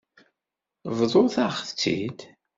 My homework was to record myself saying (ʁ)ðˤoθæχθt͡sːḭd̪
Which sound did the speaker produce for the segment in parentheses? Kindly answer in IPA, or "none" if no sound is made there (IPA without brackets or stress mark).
v